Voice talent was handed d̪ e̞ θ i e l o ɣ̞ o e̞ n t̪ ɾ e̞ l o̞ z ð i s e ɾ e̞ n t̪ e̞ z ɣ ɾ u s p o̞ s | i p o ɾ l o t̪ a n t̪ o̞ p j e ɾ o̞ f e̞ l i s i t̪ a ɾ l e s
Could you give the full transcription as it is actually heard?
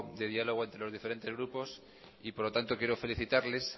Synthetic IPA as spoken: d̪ e̞ ð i a l o ɣ̞ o e̞ n t̪ ɾ e̞ l o̞ z ð i f e ɾ e̞ n t̪ e̞ z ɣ ɾ u p o̞ s | i p o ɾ l o t̪ a n t̪ o̞ k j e ɾ o̞ f e̞ l i θ i t̪ a ɾ l e s